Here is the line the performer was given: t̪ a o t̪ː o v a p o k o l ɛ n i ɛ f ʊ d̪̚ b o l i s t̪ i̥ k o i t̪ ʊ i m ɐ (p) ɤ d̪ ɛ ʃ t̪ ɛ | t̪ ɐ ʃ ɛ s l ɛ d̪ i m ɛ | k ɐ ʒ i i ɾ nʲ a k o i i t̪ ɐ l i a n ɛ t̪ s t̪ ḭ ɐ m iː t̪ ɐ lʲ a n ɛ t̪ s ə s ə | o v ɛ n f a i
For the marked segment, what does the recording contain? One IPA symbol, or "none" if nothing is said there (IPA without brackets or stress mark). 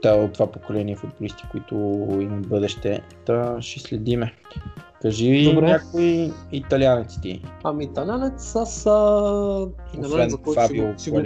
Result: b